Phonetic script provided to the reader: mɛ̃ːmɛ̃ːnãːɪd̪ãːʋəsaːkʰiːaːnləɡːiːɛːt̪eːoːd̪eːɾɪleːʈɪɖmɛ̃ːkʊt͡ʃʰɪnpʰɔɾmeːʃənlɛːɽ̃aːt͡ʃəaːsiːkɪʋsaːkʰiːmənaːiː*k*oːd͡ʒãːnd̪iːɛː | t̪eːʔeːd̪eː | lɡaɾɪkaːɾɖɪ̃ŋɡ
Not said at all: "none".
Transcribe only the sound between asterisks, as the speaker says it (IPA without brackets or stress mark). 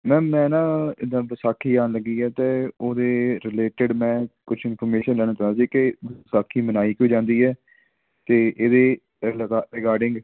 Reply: k